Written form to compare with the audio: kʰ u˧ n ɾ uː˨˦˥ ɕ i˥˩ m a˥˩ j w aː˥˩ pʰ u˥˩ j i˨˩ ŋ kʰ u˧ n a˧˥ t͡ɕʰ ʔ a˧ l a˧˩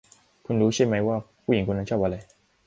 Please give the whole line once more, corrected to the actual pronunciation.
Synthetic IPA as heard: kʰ u˧ n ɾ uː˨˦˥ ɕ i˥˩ m a˧˥ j w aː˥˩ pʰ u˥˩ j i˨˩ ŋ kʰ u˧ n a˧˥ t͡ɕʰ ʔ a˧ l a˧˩